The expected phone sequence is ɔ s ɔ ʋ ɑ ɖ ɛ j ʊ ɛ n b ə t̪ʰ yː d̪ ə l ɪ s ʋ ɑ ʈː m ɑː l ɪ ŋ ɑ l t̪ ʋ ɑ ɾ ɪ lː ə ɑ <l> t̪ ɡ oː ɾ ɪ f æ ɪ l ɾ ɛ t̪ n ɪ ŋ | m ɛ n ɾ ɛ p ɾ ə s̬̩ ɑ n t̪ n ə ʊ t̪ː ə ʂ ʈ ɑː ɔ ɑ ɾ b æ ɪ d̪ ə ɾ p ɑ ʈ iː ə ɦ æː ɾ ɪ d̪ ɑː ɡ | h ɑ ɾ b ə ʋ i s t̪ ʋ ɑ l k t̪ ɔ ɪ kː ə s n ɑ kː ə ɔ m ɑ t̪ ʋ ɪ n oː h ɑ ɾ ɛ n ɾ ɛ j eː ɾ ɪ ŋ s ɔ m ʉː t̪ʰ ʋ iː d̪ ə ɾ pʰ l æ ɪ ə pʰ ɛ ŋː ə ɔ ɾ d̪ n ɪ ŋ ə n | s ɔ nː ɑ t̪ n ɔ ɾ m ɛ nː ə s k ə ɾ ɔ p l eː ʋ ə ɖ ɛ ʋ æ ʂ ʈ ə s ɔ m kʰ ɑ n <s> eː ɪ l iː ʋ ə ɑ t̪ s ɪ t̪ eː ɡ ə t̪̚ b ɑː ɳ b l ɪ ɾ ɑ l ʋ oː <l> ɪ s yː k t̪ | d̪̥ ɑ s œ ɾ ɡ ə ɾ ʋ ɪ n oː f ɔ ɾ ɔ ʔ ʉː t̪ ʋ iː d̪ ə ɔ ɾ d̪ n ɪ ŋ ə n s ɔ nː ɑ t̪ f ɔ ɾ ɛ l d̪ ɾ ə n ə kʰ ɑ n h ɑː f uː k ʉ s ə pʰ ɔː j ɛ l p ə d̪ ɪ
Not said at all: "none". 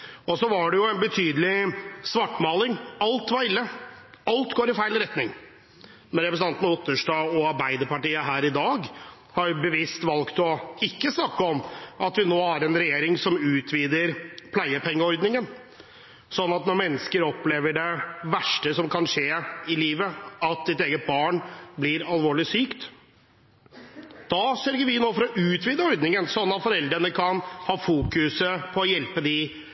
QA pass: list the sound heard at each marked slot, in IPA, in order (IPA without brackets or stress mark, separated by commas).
l, ʂ, ɭ